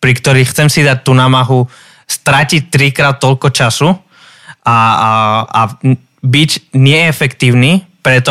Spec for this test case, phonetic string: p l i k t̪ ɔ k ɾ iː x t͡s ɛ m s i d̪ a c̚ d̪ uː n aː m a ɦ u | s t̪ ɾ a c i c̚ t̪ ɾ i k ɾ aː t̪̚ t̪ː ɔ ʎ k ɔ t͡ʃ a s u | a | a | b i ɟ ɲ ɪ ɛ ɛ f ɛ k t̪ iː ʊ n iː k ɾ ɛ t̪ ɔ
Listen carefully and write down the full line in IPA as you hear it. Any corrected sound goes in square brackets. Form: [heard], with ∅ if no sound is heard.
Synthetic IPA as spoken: p [ɾ] i k t̪ ɔ [∅] ɾ iː x t͡s ɛ m s i d̪ a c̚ [t̪] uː n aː m a ɦ u | s t̪ ɾ a c i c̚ t̪ ɾ i k ɾ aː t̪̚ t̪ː ɔ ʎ k ɔ t͡ʃ a s u | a | a | b i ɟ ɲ ɪ ɛ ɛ f ɛ k t̪ iː ʊ n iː [p] ɾ ɛ t̪ ɔ